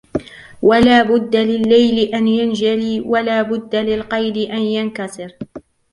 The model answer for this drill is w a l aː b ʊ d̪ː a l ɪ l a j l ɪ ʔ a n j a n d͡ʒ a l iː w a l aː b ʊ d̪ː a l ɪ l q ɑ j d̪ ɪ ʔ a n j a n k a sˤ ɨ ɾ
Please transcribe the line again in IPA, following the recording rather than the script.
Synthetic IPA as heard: w a l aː b ʊ d̪ː a l ɪ lː a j l ɪ ʔ a n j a n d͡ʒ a l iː w a l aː b ʊ d̪ː a l ɪ l q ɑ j d̪ ɪ ʔ a n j a n k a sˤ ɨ ɾ